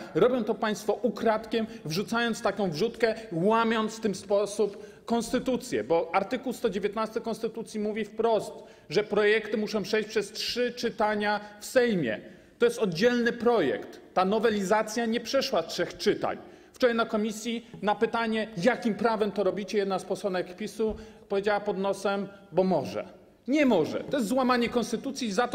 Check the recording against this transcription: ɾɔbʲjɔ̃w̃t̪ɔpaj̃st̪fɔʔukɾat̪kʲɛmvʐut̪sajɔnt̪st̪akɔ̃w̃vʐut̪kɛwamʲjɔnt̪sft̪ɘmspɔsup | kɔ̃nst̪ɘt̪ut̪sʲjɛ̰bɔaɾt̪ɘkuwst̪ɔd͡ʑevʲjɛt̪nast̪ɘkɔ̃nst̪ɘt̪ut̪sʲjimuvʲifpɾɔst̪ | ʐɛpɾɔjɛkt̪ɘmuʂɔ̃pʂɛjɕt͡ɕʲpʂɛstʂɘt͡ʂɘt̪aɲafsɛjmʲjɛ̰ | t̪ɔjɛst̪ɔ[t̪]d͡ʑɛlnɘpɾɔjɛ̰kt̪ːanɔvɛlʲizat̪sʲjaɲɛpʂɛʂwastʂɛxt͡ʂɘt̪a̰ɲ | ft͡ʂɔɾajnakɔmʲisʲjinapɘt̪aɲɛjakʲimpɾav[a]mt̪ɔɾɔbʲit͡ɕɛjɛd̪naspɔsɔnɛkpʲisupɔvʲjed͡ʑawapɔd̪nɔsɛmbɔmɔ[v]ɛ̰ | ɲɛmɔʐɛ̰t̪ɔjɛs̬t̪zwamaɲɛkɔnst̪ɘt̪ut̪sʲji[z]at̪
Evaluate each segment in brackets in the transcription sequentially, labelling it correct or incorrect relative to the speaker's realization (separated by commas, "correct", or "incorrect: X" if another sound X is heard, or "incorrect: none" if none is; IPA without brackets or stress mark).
incorrect: d̪, incorrect: ɛ, incorrect: ʐ, correct